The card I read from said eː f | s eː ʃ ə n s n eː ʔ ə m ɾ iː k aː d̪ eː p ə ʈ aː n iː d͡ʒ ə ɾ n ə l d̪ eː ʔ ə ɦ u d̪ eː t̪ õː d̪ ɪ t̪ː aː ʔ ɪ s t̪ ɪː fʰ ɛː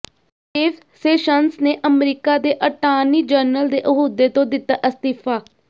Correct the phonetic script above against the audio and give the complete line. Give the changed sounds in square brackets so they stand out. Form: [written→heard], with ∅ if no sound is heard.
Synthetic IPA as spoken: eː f | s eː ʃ ə n s n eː ʔ ə m ɾ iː k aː d̪ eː [p→ʔ] ə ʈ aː n iː d͡ʒ ə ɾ n ə l d̪ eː ʔ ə ɦ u d̪ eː t̪ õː d̪ ɪ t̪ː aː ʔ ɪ s t̪ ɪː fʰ [ɛː→aː]